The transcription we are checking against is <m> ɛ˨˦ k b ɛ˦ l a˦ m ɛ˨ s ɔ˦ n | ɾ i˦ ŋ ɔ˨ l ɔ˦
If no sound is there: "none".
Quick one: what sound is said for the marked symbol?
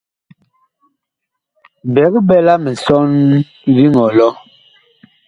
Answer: b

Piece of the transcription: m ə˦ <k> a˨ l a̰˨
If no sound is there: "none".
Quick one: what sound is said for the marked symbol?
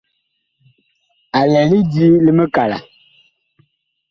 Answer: k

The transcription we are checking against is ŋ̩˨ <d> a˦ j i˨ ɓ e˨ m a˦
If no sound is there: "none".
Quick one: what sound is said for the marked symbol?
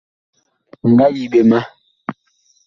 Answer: ɡ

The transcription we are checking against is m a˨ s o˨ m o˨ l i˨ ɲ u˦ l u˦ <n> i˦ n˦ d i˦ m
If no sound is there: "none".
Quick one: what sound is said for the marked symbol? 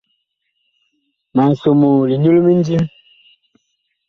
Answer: m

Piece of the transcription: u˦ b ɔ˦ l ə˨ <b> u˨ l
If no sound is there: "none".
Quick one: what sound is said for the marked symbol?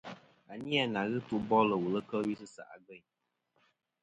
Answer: w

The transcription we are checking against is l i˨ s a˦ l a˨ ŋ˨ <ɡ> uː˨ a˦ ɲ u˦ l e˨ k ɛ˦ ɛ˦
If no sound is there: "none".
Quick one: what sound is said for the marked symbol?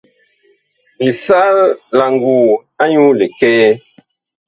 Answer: ɡ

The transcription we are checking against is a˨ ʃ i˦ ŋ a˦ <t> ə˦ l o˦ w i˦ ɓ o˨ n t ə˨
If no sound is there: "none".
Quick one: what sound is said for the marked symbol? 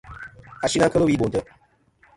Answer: k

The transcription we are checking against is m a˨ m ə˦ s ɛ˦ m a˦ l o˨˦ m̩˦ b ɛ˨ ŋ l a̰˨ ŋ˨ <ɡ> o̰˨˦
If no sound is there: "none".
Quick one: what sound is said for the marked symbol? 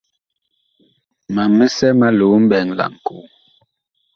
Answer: k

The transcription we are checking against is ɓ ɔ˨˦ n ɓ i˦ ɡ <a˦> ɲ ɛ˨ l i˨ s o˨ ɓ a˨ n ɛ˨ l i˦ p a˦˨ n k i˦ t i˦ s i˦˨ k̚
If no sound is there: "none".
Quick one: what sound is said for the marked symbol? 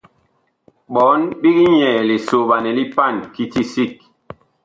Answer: i˦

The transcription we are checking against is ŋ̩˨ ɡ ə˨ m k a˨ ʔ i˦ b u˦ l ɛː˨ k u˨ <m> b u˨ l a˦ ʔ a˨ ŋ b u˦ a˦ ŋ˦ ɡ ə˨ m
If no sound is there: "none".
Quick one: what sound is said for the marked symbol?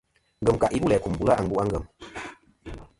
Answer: m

